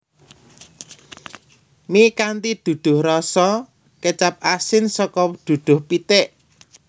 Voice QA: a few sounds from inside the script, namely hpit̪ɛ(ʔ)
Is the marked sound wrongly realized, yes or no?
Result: no